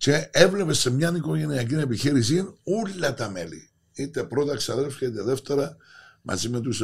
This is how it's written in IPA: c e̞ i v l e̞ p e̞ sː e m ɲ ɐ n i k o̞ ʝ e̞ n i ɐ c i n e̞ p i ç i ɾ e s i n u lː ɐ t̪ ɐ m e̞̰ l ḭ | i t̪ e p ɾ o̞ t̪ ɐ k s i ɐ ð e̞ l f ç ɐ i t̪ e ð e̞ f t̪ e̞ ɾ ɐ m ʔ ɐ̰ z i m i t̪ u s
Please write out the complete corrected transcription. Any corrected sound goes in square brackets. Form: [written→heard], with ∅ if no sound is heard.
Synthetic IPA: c e̞ [i→e] v l e̞ p e̞ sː e m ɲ ɐ n i k o̞ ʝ e̞ n i ɐ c i n e̞ p i ç i ɾ [e→i] s i n u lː ɐ t̪ ɐ m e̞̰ l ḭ | i t̪ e p ɾ o̞ t̪ ɐ k s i ɐ ð e̞ l f ç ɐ i t̪ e ð e̞ f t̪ e̞ ɾ ɐ m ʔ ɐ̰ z i m [i→e] t̪ u s